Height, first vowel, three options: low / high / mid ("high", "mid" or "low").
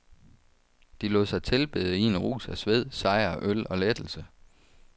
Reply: high